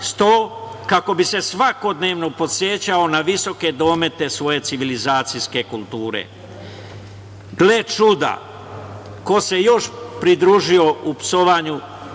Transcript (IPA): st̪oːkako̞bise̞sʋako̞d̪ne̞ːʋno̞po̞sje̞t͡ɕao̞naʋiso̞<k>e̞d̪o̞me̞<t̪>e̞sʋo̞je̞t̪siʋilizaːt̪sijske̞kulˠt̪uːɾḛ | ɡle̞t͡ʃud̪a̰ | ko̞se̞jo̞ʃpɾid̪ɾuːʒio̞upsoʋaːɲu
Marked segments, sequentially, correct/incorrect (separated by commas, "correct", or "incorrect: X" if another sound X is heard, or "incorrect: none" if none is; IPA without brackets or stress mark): correct, correct